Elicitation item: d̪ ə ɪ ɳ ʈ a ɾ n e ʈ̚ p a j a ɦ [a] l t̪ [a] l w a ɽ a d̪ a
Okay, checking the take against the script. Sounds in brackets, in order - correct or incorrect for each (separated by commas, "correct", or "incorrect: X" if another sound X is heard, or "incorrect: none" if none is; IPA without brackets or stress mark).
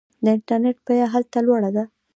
correct, correct